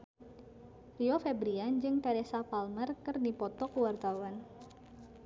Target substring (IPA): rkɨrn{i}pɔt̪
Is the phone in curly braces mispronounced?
no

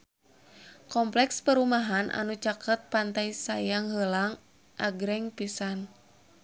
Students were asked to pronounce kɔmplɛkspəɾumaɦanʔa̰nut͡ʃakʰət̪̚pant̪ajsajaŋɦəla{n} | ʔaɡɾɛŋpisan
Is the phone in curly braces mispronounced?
yes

